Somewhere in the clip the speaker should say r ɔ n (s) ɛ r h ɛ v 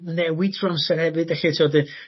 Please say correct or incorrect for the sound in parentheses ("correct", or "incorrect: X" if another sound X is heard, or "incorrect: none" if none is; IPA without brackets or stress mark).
correct